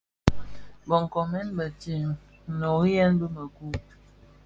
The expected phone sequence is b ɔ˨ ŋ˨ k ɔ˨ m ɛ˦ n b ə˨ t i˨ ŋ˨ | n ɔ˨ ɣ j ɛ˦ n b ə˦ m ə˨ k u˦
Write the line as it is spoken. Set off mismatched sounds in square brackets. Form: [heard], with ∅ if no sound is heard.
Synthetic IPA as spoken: b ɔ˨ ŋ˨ k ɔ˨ m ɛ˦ n b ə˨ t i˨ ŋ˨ | n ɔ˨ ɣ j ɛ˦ n b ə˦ m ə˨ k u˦